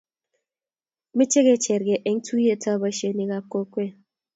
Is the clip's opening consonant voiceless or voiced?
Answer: voiced